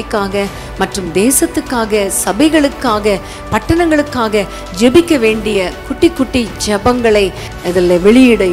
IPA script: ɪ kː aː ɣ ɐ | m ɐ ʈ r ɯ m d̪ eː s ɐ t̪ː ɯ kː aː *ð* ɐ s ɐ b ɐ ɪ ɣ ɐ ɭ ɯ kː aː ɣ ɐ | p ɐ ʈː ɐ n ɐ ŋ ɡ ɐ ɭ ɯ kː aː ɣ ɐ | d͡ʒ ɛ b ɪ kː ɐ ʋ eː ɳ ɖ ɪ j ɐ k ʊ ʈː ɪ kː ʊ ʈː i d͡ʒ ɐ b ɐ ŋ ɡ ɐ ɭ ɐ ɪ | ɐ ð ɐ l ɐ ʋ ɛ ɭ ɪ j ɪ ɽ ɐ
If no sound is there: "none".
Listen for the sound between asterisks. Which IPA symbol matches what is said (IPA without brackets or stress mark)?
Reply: ɣ